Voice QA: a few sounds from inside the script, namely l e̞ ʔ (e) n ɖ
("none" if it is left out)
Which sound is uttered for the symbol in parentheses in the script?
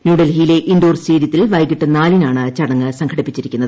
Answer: i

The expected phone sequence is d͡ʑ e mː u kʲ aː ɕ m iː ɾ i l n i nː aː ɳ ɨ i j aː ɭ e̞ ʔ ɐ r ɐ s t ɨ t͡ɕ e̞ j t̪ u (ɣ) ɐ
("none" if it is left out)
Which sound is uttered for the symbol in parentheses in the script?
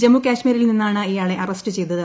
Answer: ð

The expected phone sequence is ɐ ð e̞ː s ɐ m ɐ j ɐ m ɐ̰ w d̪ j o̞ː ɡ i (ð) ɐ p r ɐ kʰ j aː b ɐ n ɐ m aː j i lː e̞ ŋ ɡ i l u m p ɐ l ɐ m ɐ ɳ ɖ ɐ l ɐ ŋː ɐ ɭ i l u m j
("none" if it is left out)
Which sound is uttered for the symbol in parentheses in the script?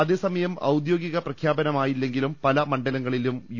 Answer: ɣ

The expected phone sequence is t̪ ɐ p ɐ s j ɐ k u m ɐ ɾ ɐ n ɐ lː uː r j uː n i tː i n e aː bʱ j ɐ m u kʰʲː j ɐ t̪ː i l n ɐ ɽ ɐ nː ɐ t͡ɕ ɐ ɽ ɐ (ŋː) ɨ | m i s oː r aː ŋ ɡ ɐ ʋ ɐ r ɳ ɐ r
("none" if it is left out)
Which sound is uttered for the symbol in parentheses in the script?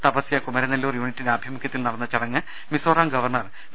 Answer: ŋː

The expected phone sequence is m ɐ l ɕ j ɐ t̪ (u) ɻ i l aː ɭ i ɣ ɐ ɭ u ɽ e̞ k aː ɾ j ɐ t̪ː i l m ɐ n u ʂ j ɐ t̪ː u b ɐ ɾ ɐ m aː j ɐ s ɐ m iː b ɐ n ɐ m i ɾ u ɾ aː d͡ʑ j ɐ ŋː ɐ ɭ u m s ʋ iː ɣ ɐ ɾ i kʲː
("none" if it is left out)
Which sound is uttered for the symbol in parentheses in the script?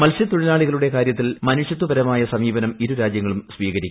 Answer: u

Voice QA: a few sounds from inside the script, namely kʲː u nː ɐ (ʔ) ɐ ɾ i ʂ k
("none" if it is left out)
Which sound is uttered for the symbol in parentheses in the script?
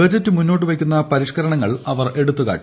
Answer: p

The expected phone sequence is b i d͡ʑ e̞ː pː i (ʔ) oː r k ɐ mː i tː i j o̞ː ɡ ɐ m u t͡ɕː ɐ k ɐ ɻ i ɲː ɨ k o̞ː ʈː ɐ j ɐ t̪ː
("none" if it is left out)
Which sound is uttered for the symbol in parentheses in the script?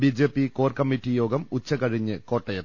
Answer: k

